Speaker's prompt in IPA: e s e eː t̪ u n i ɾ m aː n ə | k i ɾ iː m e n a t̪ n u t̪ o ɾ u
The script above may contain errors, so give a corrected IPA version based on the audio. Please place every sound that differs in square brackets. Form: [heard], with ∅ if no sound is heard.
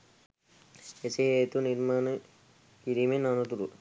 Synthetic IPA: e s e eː t̪ u n i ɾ m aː n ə | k i ɾ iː m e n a [∅] n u t̪ [u] ɾ u